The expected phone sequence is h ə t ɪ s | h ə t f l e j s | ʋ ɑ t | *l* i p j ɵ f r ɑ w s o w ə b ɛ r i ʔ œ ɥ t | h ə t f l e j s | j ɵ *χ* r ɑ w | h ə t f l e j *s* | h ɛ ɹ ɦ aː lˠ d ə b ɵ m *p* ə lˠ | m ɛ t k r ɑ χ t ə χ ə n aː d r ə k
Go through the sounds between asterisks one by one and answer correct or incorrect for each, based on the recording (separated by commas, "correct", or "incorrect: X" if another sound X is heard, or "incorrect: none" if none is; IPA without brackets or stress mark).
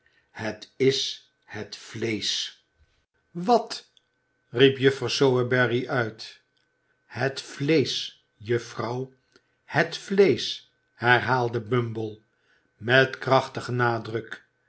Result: incorrect: r, incorrect: f, correct, incorrect: b